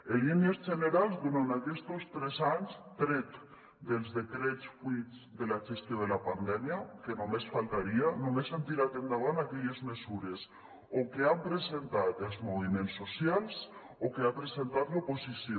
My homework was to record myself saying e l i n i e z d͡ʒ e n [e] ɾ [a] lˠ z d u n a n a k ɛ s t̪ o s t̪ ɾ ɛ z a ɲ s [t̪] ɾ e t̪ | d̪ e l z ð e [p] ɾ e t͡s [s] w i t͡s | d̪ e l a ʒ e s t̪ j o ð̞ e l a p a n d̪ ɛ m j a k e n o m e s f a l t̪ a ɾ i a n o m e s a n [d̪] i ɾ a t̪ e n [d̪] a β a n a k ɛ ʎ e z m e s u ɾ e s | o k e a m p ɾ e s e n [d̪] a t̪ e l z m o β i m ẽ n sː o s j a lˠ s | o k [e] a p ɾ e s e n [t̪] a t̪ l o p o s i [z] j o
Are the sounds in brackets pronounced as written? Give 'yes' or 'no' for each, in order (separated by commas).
yes, yes, yes, no, no, no, yes, no, yes, yes, no